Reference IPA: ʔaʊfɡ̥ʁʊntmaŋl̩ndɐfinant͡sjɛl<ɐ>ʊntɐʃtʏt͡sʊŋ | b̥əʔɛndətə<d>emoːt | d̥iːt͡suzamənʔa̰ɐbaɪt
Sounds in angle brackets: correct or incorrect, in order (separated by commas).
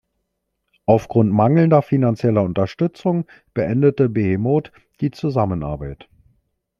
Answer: correct, incorrect